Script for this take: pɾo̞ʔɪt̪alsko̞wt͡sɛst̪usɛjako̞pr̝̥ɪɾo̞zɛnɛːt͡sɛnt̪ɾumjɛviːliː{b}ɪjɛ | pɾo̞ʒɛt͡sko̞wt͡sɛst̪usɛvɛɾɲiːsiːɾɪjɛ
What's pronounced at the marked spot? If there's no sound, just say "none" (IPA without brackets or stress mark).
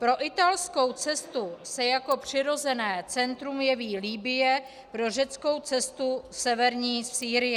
b